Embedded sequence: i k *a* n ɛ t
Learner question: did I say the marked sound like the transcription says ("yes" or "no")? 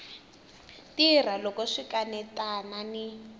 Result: yes